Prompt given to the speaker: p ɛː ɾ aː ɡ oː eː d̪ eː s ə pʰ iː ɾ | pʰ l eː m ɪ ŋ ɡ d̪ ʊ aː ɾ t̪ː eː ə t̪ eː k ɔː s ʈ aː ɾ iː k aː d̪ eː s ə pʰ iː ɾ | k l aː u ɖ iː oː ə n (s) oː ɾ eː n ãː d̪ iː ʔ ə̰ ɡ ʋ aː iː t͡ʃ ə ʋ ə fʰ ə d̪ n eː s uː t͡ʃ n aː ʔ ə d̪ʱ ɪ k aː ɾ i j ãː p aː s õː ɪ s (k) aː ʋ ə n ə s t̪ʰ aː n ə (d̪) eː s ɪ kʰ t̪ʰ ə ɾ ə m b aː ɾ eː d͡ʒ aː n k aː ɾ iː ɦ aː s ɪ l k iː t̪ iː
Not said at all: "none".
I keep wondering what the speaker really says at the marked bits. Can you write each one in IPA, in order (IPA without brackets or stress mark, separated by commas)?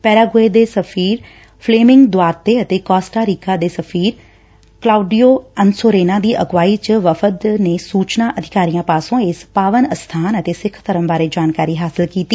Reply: s, p, t̪